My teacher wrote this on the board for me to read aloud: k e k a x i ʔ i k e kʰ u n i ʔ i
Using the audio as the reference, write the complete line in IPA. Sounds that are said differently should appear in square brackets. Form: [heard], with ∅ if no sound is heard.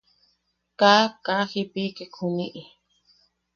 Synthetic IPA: k [a] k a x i [p] i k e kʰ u n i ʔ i